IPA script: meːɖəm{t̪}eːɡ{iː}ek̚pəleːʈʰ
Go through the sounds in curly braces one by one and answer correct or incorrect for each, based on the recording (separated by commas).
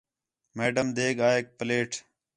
incorrect, incorrect